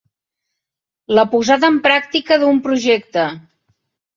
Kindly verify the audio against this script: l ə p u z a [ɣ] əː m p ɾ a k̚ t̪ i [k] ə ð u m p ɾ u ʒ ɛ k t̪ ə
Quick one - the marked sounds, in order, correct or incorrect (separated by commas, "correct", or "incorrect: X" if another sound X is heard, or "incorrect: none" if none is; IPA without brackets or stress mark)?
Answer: incorrect: ð, correct